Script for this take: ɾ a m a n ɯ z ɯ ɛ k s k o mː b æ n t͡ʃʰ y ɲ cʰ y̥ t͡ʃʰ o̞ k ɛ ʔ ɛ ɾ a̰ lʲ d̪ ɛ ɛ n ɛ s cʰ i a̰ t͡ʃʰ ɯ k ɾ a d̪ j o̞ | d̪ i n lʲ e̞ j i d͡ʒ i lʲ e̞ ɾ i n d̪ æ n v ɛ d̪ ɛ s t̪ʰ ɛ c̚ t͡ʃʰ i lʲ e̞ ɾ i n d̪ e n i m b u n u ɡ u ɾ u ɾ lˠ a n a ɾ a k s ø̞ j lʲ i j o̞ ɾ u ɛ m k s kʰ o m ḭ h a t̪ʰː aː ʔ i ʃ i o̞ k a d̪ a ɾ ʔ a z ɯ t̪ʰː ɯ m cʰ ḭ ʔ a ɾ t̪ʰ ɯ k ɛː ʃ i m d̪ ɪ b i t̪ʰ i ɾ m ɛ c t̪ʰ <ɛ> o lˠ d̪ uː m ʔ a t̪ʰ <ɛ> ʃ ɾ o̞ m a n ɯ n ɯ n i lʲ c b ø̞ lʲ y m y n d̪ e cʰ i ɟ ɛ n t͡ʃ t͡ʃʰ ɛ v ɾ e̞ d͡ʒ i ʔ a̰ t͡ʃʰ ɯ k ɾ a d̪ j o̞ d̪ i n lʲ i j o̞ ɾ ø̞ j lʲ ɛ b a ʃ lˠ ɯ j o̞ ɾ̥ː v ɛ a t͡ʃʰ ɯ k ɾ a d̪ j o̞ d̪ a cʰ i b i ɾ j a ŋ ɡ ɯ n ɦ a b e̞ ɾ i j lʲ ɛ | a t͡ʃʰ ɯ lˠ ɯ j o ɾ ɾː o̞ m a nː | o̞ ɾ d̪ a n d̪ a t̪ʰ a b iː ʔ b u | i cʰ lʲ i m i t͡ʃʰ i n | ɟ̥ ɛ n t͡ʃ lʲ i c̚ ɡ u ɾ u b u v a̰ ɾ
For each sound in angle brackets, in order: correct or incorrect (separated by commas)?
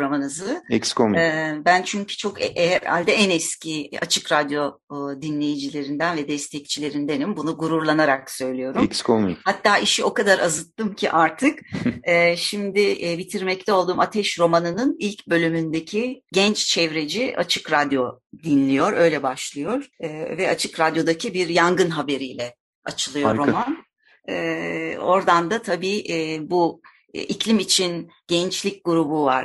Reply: correct, correct